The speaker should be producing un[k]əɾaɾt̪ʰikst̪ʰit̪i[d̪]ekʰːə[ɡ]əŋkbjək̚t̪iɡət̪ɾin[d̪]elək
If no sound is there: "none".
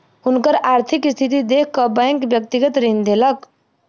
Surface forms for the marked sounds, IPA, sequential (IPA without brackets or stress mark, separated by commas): k, d̪, b, d̪